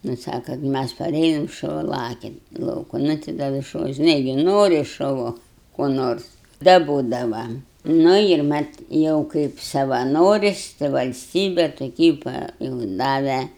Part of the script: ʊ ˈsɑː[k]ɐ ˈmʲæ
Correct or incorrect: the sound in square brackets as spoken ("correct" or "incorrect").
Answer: correct